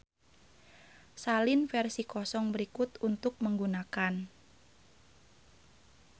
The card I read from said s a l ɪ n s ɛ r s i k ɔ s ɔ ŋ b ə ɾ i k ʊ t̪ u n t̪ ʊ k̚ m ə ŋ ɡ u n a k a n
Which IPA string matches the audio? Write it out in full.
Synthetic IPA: s a l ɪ n f ɛ r s i k ɔ s ɔ ŋ b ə ɾ i k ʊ t̪ u n t̪ ʊ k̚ m ə ŋ ɡ u n a k a n